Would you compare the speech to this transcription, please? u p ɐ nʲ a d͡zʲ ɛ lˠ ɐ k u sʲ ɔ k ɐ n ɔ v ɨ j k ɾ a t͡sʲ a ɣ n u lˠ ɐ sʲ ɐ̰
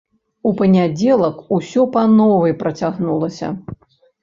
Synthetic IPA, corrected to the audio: u p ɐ nʲ a d͡zʲ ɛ lˠ ɐ k u sʲ ɔ p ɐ n ɔ v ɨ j p ɾ ɐ t͡sʲ a ɣ n u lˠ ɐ sʲ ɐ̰